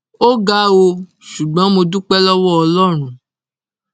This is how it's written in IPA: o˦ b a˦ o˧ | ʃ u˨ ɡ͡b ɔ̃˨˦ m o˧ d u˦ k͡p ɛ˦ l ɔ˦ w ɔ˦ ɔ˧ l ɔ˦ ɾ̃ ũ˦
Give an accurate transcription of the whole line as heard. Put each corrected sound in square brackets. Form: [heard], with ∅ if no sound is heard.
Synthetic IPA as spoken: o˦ [ɡ] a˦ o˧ | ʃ u˨ ɡ͡b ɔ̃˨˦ m o˧ d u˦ k͡p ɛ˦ l ɔ˦ w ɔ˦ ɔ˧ l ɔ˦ ɾ̃ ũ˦